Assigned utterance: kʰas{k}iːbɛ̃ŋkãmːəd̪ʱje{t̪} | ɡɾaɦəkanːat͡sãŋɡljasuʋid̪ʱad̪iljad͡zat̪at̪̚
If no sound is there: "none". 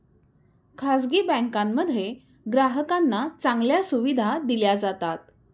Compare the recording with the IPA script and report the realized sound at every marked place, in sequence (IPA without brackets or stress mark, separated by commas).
ɡ, none